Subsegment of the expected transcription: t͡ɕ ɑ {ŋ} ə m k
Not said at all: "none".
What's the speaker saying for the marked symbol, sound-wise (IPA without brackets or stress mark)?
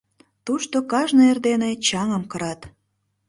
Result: ŋ